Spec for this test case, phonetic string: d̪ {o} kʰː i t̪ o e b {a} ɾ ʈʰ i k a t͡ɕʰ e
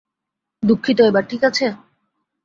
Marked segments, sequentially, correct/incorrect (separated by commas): incorrect, correct